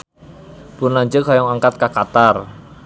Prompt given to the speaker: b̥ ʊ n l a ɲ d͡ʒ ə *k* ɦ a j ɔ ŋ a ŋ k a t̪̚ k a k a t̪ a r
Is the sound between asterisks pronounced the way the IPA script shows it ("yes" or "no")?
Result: yes